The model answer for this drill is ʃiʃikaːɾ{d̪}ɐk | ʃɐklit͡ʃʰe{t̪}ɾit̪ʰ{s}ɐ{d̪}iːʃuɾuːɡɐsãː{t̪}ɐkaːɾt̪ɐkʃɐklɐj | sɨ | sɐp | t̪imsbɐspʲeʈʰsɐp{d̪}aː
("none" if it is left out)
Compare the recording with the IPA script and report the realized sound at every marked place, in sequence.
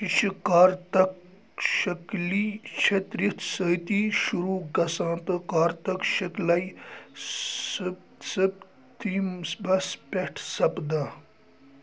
t̪, t̪, s, t̪, t̪, d̪

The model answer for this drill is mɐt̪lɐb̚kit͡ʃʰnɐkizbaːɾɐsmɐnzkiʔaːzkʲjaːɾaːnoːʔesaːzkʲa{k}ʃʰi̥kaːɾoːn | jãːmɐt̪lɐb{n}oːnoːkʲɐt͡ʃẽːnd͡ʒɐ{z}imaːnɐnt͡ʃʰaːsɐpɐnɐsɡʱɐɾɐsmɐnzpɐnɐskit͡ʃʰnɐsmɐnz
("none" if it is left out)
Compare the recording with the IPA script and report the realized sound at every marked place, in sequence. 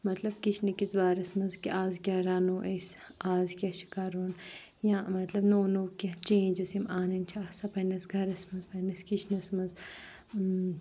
none, n, s

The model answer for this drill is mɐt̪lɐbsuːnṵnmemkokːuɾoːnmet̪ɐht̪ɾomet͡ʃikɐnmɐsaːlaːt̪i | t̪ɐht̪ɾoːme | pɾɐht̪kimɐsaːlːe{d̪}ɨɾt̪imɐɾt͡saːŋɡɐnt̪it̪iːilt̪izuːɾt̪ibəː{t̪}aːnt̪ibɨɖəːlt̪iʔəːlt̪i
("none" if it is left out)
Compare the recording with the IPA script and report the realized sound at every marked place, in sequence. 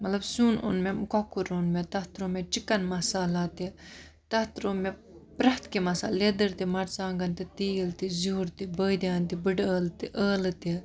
d̪, d̪

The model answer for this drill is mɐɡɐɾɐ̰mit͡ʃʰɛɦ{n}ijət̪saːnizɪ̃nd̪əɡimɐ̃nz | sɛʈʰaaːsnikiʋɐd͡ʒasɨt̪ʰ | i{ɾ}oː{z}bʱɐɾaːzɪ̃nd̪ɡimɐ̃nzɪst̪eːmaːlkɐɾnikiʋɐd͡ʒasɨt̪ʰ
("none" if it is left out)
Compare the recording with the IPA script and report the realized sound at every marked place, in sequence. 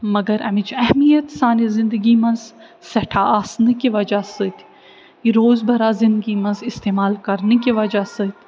m, ɾ, z

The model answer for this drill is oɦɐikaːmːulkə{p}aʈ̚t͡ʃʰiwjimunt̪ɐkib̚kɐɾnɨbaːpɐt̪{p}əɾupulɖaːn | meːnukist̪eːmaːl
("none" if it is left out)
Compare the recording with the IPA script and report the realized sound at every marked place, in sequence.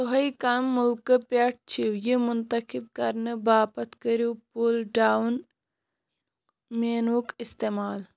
p, k

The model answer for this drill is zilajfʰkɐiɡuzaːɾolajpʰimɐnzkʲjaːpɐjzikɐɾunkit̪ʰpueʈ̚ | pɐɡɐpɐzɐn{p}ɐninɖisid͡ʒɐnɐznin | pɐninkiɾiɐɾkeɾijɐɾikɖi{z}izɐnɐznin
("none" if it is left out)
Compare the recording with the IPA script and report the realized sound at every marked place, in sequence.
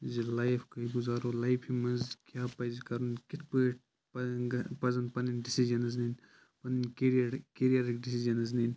p, s

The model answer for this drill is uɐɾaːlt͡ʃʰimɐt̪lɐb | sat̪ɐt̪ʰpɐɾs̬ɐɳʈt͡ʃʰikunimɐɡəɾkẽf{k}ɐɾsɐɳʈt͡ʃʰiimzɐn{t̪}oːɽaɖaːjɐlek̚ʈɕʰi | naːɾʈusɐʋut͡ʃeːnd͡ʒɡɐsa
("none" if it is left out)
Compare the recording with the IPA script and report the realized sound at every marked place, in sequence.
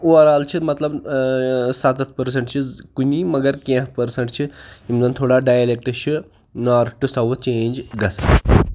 p, t̪ʰ

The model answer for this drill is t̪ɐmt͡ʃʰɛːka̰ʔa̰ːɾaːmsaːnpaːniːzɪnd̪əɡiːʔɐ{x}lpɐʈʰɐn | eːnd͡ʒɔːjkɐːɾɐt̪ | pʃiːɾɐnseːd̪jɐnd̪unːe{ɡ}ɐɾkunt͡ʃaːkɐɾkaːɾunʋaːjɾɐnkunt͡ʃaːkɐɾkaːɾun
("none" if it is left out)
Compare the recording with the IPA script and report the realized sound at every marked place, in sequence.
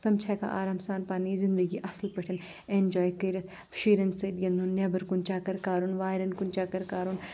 s, b

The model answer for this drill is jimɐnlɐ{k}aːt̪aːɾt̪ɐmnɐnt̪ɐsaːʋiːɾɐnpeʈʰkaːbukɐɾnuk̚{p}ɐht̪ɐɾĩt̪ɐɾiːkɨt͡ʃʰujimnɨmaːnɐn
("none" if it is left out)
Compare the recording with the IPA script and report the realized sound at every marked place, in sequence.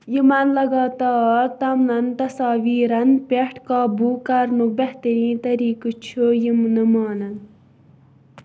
ɡ, b

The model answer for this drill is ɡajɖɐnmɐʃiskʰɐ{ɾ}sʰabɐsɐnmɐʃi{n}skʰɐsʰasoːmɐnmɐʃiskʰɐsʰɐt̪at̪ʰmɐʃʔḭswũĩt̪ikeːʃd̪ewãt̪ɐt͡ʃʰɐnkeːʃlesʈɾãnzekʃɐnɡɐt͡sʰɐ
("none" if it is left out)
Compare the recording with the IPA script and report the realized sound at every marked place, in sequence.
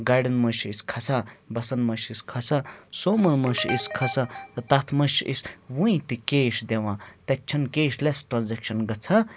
none, none

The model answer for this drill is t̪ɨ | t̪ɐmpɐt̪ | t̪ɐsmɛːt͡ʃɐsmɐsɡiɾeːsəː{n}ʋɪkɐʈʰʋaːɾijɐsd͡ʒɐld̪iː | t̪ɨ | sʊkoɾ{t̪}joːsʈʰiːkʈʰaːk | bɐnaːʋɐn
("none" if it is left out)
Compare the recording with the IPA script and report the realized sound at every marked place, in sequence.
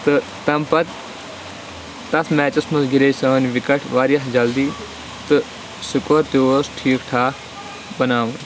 n, t̪

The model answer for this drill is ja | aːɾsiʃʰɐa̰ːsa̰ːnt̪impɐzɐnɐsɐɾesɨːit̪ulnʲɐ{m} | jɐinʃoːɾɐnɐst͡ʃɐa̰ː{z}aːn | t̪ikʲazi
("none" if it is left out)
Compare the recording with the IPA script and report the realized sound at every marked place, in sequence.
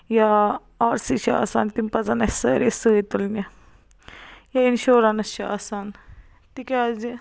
none, s

